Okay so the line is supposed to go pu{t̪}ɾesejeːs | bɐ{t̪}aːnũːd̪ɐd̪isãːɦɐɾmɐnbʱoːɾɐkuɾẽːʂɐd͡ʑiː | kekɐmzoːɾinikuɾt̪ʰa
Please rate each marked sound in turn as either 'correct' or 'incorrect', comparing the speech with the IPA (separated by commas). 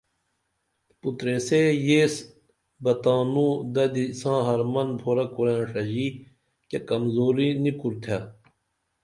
correct, correct